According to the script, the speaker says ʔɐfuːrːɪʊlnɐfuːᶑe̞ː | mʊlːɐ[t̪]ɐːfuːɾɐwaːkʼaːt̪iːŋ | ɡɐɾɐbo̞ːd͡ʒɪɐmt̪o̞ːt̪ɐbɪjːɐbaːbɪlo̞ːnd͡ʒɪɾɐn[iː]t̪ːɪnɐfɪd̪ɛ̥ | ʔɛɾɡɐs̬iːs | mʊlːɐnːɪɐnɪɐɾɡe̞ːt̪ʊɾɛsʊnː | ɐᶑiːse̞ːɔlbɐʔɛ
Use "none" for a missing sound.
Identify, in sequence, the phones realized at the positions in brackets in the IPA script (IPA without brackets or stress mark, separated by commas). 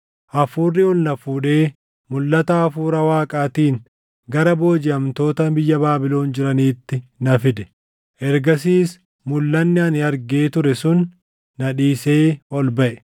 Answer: t̪, iː